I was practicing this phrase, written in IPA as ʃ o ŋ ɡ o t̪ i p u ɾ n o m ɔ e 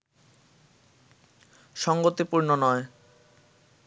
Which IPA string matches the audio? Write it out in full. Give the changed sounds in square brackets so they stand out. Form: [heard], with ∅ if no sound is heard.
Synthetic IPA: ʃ [ɔ] ŋ ɡ o t̪ i p u ɾ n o [n] ɔ e